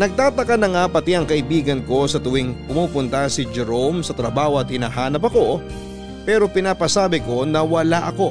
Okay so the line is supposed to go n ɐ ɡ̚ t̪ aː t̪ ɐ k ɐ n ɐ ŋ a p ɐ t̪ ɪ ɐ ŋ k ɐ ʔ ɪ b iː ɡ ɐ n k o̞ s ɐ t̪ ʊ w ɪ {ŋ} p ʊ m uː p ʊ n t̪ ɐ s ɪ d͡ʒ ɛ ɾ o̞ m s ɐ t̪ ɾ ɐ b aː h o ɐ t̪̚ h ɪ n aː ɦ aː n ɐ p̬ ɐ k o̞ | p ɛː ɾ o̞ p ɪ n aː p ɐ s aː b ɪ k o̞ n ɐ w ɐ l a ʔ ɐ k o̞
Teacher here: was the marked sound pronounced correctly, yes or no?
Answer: yes